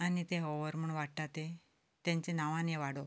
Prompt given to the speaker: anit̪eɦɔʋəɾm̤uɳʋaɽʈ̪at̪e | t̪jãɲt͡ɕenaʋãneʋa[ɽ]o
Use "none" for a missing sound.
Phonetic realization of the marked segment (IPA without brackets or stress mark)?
ɽ